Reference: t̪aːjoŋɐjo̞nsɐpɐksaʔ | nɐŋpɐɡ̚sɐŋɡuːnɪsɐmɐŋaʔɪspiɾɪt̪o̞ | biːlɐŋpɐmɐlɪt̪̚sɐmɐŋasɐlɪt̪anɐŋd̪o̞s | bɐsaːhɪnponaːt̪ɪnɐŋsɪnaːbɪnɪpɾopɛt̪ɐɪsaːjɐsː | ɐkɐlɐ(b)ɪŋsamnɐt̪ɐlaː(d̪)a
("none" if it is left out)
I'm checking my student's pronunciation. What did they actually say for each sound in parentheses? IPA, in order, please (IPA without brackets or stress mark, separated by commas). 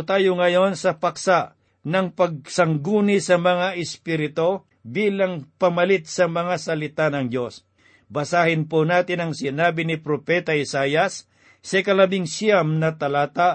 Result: b, t̪